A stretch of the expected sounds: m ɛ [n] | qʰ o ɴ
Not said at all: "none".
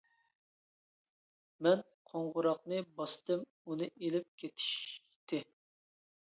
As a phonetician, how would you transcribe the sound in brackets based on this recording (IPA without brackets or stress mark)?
n